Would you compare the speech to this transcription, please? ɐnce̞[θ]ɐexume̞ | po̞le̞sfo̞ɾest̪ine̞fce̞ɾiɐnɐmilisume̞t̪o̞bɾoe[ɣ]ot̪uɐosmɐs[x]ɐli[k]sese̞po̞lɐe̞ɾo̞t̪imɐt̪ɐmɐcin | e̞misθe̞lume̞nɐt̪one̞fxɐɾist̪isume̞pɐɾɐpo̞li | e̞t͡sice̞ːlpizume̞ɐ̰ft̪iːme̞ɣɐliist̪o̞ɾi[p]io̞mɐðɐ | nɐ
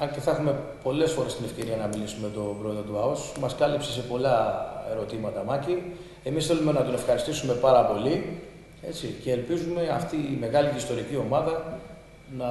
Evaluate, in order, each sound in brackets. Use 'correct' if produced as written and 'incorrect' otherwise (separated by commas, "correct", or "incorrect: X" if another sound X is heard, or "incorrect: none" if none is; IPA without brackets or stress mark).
correct, incorrect: ð, incorrect: k, incorrect: p, incorrect: c